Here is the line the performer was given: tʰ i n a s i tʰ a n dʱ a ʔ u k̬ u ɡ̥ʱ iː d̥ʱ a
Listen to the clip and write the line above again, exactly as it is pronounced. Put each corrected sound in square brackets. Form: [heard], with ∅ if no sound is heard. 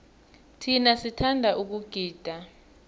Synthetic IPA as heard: tʰ i n a s i tʰ a n dʱ a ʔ u k̬ u ɡ̥ʱ iː d̥ʱ a